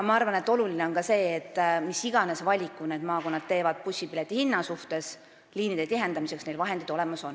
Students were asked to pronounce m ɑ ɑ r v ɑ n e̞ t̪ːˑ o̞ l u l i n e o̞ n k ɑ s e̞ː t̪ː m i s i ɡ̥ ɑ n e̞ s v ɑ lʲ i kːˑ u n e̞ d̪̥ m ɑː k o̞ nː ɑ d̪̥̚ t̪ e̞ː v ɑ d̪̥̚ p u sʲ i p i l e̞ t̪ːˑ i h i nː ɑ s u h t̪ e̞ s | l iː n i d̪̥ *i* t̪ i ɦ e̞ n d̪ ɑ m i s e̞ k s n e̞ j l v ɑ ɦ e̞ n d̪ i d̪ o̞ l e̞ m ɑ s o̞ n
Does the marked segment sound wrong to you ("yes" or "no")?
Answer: yes